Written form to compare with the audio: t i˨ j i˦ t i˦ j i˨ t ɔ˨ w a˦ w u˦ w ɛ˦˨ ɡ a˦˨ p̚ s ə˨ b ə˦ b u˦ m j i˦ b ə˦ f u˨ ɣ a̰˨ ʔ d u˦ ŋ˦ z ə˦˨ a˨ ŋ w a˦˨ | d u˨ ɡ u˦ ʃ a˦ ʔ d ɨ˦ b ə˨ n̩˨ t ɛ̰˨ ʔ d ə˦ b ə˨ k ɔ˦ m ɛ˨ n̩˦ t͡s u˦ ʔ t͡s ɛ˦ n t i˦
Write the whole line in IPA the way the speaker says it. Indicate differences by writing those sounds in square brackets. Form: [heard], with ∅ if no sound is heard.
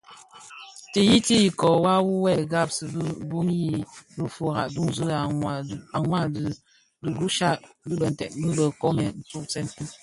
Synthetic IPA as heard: t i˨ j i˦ t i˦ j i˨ [k] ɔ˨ w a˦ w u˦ w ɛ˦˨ ɡ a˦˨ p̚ s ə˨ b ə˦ b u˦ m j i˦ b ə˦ f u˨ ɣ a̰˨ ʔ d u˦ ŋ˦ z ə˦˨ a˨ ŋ w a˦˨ | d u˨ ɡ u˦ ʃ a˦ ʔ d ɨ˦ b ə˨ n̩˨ t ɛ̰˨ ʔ [b] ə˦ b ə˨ k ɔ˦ m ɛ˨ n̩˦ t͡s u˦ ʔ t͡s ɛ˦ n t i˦